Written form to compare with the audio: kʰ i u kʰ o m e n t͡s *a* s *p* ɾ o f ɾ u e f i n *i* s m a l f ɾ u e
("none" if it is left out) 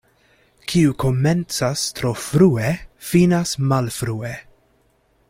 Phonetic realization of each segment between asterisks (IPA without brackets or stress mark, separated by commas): a, t, a